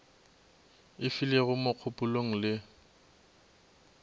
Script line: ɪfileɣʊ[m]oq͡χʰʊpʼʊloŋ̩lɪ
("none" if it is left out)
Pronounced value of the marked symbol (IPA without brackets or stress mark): m